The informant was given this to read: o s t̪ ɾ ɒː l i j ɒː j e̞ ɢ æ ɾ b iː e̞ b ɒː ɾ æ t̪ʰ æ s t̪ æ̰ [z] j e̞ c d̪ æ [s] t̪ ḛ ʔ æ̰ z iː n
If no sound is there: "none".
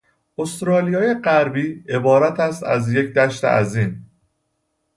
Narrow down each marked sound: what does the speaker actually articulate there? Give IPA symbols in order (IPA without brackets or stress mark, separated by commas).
z, ʃ